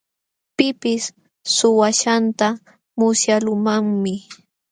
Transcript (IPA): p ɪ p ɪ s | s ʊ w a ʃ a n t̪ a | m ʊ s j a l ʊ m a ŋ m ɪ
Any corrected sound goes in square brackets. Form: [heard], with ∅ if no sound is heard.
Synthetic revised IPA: p ɪ p ɪ s | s ʊ w a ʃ a n t̪ a | m ʊ s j a l ʊ m a ŋ m ɪ

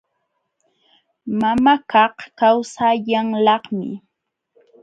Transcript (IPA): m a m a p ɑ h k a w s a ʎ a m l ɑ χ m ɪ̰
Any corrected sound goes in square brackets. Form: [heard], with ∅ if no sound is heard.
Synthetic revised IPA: m a m a [k] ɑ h k a w s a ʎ a [ŋ] l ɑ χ m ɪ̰

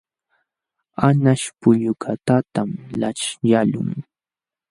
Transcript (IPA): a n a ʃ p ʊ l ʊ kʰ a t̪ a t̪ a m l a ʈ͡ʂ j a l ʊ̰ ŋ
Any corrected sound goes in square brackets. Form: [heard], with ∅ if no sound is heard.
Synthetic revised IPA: a n a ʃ p ʊ [ʎ] ʊ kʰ a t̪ a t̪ a m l a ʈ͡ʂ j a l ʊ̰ ŋ

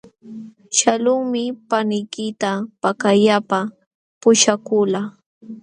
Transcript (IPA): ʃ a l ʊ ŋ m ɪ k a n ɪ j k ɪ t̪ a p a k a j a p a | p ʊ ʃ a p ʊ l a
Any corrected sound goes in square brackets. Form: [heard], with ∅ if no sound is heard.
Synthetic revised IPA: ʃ a l ʊ ŋ m ɪ [p] a n ɪ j k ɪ t̪ a p a k a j a p a | p ʊ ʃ a [k] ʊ l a

